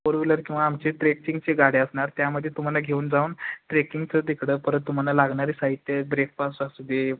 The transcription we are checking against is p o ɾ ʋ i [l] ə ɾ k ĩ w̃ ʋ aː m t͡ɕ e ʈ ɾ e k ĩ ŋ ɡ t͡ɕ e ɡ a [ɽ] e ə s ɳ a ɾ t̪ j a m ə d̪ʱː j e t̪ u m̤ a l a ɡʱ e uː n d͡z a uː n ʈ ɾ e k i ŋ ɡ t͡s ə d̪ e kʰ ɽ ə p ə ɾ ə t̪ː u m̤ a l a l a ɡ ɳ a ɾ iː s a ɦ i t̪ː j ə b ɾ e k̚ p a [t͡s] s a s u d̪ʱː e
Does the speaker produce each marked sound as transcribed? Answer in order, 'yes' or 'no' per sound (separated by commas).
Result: yes, yes, no